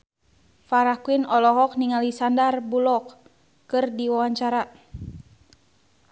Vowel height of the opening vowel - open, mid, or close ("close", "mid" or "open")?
open